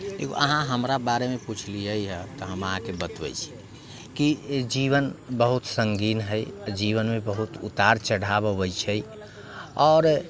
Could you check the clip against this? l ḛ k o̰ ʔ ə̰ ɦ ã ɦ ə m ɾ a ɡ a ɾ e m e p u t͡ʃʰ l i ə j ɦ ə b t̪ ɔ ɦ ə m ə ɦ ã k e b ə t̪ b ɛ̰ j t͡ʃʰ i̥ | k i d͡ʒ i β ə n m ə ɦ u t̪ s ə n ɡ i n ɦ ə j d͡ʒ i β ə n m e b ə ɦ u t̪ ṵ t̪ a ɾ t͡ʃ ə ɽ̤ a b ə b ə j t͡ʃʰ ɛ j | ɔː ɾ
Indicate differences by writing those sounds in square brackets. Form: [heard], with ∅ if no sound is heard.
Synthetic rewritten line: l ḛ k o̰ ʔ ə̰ ɦ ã ɦ ə m ɾ a [b] a ɾ e m e p u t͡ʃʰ l i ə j ɦ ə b t̪ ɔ ɦ ə m ə ɦ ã k e b ə t̪ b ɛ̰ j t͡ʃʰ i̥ | k i d͡ʒ i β ə n [b] ə ɦ u t̪ s ə [ŋ] ɡ i n ɦ ə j d͡ʒ i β ə n m e b ə ɦ u t̪ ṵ t̪ a ɾ t͡ʃ ə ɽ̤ a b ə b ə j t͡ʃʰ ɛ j | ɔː ɾ